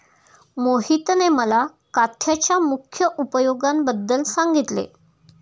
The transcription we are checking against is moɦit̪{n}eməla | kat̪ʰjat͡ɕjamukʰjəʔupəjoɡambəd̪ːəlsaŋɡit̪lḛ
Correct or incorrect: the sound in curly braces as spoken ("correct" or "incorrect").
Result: correct